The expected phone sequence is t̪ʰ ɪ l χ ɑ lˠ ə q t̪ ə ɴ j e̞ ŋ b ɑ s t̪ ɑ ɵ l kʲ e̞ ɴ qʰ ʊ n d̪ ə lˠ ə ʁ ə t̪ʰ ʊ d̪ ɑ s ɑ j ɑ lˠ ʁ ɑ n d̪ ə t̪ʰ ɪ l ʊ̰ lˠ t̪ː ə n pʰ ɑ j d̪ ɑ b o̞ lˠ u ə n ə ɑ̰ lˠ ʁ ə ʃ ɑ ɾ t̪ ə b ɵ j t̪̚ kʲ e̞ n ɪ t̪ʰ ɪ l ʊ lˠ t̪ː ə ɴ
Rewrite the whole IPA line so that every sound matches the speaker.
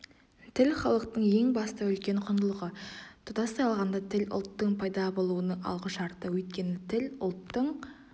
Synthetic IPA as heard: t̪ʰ ɪ l χ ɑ lˠ ə q t̪ ə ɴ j e̞ ŋ b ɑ s t̪ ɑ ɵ l kʲ e̞ ɴ qʰ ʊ n d̪ ə lˠ ə ʁ ə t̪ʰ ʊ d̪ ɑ s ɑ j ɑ lˠ ʁ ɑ n d̪ ɑ t̪ʰ ɪ l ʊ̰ lˠ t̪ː ə ɴ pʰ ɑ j d̪ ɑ b o̞ lˠ u ə n ə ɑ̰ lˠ ʁ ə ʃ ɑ ɾ t̪ ə w ɵ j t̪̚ kʲ e̞ n ɪ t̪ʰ ɪ l ʊ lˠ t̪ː ə ɴ